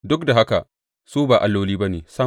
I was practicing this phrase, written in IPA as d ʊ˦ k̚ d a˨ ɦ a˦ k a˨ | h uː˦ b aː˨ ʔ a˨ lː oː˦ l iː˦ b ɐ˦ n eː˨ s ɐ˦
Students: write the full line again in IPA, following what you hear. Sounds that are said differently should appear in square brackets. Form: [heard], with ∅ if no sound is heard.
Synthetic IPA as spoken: d ʊ˦ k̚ d a˨ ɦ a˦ k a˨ | [s] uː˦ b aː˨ ʔ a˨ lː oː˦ l iː˦ b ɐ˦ n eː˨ s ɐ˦